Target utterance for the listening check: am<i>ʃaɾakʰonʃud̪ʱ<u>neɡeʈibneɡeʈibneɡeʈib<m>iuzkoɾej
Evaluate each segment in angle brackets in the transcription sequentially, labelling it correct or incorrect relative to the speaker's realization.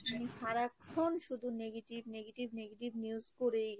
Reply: correct, correct, incorrect: n

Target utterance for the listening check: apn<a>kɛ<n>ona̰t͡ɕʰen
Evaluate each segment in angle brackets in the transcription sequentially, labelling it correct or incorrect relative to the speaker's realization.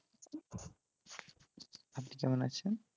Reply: incorrect: i, incorrect: m

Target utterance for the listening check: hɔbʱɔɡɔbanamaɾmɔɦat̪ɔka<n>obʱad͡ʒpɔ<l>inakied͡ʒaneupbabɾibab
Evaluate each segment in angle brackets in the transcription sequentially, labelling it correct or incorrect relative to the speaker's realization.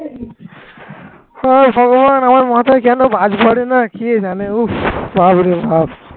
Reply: correct, incorrect: ɽ

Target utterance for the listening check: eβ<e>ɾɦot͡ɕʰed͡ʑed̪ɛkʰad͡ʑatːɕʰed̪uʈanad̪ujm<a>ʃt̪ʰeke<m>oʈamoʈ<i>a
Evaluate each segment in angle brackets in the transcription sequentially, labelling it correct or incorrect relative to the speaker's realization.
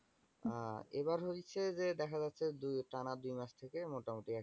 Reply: incorrect: a, correct, correct, correct

